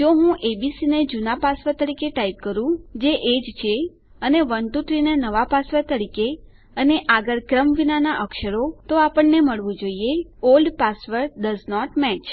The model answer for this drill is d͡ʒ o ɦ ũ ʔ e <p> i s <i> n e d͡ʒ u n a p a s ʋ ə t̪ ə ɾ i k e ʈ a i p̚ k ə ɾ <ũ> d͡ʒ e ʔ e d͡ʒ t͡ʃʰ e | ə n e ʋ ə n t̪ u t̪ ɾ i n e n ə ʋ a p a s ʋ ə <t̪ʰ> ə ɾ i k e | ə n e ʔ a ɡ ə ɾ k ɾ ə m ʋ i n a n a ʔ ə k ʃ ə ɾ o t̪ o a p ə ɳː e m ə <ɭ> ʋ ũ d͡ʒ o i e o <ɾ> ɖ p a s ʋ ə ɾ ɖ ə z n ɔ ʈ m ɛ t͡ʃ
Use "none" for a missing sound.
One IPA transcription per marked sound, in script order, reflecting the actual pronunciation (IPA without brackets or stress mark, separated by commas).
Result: b, i, ũ, t̪, ɭ, l